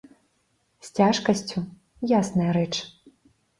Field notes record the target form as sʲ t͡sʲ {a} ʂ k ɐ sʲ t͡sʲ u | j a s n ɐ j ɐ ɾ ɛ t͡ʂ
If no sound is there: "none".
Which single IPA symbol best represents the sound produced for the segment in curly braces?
a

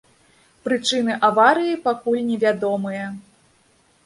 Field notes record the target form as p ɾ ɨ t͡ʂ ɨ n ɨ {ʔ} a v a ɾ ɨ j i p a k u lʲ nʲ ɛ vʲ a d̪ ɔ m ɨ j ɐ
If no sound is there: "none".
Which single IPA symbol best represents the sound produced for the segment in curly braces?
ʔ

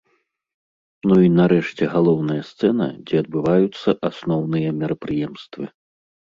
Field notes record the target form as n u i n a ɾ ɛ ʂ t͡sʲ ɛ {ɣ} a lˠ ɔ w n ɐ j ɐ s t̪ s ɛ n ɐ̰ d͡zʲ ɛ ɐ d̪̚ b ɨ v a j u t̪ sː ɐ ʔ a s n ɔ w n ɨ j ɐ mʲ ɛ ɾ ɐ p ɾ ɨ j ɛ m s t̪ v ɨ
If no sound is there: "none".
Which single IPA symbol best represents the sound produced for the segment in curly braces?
ɣ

